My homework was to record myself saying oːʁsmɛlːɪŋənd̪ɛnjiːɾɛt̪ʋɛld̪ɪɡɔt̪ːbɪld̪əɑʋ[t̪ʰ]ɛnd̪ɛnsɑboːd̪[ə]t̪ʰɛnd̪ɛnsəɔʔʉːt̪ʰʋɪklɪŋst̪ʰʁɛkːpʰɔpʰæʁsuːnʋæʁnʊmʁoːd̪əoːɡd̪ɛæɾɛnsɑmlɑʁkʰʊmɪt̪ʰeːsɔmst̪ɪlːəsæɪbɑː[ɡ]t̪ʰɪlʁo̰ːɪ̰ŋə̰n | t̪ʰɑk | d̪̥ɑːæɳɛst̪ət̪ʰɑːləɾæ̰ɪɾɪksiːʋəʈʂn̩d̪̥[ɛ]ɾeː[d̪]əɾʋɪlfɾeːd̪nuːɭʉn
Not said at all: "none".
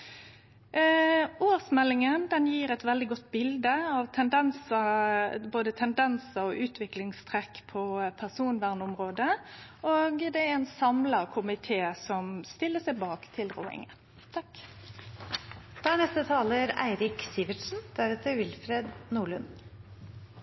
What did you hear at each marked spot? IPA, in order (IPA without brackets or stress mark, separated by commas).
t̪ʰ, ə, k, æ, t̪